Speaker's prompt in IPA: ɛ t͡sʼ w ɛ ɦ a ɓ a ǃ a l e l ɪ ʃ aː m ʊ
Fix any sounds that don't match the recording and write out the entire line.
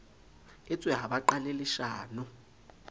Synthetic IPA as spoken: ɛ t͡sʼ w ɛ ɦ a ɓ a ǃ a l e l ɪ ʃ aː n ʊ